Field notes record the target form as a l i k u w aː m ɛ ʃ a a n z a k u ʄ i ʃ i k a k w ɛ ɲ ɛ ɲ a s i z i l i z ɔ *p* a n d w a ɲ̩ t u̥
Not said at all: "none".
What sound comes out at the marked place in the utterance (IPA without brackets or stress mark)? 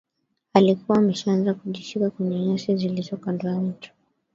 k